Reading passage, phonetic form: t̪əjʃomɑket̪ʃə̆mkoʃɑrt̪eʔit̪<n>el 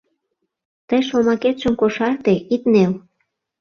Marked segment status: correct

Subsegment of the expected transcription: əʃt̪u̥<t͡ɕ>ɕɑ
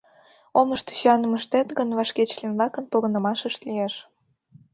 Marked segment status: incorrect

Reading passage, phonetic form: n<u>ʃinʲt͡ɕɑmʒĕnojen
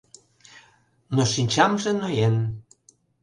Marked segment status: incorrect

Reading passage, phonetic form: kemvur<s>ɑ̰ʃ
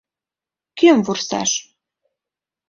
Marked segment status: correct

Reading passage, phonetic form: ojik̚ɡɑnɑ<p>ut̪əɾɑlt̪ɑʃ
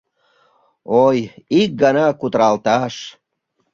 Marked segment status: incorrect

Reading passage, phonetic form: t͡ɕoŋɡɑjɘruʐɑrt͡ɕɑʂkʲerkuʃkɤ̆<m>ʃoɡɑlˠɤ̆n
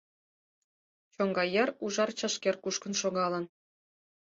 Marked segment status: incorrect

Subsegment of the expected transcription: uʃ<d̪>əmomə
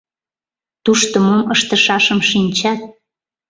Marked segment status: incorrect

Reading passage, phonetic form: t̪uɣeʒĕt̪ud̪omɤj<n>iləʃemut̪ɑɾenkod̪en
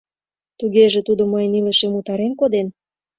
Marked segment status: correct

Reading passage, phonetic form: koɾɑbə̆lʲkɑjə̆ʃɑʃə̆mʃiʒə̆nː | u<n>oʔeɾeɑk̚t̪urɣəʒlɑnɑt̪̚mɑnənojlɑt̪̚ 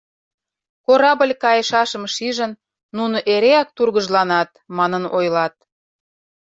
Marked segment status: correct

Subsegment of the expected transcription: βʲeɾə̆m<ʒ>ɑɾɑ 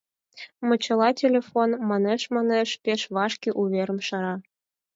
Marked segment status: incorrect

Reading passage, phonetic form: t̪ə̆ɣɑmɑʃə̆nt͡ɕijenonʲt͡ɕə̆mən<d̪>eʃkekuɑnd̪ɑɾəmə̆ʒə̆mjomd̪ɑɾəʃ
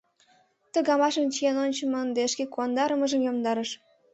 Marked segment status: correct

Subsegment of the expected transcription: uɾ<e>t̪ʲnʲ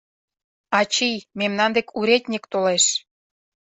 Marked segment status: correct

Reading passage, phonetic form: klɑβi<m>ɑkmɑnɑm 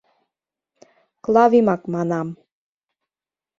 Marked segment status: correct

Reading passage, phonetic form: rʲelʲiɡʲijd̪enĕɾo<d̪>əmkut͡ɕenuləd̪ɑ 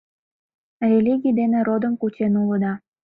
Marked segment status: correct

